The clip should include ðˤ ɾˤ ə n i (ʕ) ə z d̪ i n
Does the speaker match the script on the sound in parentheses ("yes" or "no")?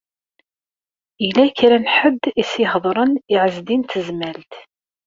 yes